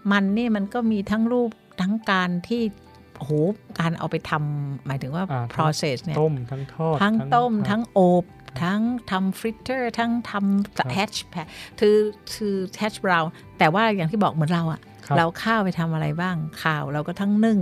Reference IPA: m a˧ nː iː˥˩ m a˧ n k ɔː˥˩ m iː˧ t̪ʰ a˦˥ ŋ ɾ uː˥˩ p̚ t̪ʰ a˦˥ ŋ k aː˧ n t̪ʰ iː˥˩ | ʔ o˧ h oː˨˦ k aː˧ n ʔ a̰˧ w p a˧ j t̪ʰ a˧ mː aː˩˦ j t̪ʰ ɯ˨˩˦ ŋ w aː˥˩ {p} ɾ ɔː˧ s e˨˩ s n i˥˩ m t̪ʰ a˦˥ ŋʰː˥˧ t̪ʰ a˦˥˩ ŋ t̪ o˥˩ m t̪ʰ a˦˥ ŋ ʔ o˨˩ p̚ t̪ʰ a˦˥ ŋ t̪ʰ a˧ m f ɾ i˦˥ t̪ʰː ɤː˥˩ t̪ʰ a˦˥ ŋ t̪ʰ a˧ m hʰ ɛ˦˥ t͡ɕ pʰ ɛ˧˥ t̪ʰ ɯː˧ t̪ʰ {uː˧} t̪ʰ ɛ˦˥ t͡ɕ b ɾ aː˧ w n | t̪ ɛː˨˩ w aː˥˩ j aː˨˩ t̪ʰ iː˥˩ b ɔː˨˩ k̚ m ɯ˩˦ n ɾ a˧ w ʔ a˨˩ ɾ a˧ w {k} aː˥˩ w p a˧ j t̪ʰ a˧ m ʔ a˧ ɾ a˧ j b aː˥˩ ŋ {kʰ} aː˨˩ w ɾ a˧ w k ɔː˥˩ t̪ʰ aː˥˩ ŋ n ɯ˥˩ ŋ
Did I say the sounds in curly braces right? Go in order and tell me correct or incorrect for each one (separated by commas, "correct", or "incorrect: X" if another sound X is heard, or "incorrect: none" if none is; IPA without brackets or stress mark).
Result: incorrect: pʰ, incorrect: ɯː˧, incorrect: kʰ, correct